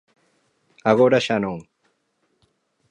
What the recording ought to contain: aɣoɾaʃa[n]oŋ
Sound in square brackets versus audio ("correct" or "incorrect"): correct